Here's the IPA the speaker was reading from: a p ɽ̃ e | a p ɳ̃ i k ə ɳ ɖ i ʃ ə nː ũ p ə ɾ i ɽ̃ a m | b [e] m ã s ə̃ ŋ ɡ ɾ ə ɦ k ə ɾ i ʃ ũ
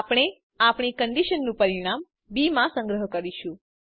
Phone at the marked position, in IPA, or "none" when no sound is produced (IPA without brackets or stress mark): i